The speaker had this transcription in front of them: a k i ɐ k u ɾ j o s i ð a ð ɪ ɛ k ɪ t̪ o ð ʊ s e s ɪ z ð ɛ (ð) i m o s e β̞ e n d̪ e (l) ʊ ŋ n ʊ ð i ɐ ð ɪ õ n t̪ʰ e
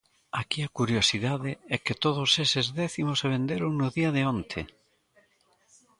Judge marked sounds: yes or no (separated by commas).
no, no